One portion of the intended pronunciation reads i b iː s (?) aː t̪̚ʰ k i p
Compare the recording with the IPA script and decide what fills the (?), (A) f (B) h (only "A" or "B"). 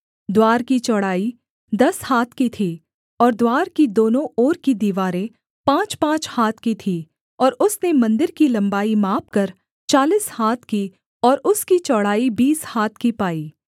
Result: B